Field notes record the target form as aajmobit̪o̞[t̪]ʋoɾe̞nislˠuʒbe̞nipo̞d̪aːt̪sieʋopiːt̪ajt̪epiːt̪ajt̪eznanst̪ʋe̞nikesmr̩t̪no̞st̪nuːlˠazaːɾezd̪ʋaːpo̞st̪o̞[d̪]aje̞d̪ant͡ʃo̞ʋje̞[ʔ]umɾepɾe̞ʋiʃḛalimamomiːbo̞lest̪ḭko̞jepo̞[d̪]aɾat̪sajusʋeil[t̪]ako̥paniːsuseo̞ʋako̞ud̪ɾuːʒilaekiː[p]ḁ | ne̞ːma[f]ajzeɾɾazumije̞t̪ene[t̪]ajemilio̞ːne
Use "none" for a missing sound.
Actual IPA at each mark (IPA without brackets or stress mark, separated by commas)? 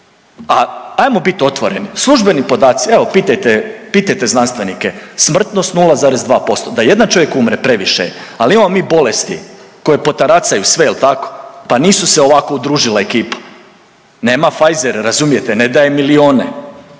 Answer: t̪, d̪, k, t̪, t̪, p, f, d̪